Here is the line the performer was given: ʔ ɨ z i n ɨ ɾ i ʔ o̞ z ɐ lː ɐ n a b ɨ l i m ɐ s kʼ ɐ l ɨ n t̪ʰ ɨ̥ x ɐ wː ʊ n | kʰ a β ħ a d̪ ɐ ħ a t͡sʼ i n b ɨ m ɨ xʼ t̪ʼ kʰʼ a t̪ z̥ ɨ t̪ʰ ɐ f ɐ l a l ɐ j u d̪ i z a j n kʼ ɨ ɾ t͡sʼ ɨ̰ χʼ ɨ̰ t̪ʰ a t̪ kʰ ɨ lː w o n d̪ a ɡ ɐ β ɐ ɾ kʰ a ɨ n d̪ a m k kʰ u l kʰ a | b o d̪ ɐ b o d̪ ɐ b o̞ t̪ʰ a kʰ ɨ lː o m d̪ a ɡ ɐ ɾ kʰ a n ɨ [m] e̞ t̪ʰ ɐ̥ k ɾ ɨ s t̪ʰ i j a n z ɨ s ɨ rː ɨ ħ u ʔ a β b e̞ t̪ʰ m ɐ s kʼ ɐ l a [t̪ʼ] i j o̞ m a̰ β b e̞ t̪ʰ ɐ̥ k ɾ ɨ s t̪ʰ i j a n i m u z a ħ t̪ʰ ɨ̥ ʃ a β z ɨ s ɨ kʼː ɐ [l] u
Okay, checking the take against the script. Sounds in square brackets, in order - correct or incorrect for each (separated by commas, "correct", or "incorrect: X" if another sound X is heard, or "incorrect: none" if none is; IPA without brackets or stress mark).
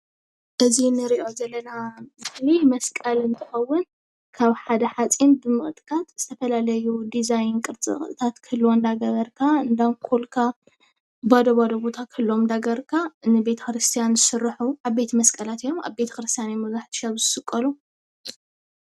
incorrect: b, incorrect: t̪, correct